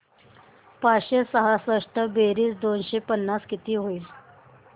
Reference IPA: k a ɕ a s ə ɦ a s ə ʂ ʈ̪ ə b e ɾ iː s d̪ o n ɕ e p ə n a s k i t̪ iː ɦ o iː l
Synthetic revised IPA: p a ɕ e s ə ɦ a s ə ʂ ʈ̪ ə b e ɾ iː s d̪ o n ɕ e p ə nː a s k i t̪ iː ɦ o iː l